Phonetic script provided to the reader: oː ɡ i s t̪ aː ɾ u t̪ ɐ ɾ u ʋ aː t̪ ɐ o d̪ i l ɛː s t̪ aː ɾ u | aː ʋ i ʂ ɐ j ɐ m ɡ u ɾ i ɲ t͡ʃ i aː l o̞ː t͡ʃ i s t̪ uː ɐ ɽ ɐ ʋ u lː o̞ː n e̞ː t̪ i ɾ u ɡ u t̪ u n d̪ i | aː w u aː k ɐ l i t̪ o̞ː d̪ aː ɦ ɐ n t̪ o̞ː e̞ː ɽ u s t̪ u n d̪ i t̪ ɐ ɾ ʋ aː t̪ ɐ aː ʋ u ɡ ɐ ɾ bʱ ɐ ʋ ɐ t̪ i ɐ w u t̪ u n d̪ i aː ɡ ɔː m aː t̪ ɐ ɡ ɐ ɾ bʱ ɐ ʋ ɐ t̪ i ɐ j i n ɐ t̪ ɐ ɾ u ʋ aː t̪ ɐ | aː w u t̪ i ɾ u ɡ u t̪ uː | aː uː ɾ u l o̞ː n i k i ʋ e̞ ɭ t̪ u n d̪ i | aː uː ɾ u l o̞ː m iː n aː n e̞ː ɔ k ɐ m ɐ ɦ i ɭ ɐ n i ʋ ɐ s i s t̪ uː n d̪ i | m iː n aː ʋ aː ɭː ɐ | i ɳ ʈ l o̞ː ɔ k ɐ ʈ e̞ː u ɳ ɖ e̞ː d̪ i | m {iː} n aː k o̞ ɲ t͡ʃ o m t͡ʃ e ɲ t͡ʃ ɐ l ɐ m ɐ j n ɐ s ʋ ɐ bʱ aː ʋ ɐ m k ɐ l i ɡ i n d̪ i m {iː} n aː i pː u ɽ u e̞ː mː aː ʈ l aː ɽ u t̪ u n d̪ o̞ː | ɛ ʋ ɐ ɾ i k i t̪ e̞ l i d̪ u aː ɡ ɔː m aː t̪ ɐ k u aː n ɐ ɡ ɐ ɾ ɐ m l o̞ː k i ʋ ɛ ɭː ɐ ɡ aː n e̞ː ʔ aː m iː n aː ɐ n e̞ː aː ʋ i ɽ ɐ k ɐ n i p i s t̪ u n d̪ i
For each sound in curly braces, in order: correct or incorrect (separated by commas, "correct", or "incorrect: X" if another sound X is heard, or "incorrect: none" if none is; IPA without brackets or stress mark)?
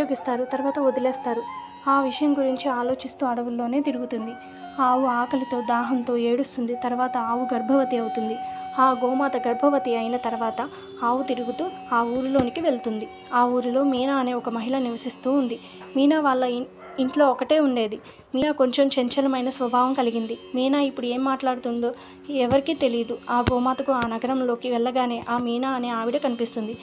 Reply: correct, correct